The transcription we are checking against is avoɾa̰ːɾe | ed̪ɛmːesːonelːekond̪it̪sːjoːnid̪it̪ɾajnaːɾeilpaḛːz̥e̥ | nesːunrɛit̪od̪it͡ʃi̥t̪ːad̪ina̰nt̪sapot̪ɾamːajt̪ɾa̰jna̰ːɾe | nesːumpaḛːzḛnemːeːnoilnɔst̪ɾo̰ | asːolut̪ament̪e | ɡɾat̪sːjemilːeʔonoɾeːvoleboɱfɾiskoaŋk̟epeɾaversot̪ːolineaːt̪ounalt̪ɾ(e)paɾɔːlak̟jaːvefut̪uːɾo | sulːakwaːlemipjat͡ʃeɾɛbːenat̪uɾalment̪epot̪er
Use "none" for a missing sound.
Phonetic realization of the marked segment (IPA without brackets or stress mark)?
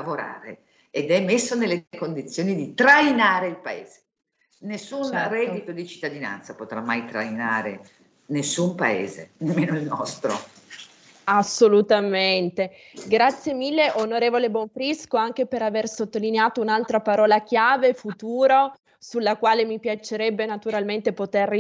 a